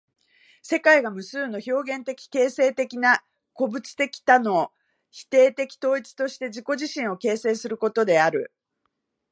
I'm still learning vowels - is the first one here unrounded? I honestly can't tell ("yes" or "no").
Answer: yes